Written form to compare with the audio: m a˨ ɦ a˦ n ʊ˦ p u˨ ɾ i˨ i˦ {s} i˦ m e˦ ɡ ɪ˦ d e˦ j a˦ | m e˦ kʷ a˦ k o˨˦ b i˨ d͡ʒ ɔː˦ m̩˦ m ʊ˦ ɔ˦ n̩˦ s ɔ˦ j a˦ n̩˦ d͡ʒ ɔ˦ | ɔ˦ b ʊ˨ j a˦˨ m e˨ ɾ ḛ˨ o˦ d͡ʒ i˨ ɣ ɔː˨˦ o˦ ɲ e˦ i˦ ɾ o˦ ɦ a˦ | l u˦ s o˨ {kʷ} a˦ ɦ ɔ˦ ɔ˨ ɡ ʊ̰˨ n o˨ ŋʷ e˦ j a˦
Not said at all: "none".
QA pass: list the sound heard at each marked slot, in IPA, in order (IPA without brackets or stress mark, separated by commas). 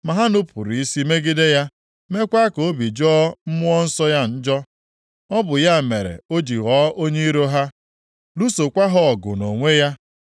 s, kʷ